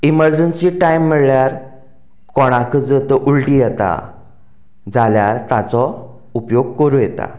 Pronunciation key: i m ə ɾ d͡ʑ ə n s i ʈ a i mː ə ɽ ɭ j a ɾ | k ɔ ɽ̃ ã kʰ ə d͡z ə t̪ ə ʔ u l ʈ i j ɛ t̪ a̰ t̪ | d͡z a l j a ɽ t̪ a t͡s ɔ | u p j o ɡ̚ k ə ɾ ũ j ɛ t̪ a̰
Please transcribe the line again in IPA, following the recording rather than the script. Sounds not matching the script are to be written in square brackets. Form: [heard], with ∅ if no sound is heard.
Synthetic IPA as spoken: i m ə ɾ d͡ʑ ə n s i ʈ a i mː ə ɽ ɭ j a ɾ | k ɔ ɽ̃ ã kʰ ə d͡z ə t̪ ə ʔ u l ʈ i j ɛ t̪ a̰ [∅] | d͡z a l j a [ɾ] t̪ a t͡s ɔ | u p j o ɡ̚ k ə ɾ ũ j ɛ t̪ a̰